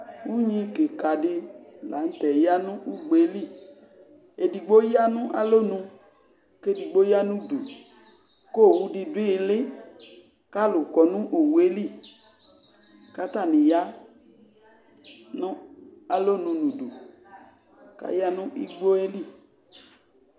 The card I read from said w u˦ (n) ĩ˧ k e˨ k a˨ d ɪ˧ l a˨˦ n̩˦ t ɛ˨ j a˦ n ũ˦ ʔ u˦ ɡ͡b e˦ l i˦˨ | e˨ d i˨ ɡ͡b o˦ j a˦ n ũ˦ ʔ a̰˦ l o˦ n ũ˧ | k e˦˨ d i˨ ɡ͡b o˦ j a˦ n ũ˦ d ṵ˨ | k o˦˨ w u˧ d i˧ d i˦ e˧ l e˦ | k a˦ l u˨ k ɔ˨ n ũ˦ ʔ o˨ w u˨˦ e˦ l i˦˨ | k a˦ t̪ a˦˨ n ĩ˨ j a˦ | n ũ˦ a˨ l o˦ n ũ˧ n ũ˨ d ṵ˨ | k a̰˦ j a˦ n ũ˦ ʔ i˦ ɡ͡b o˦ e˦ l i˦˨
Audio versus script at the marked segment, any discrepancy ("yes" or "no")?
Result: yes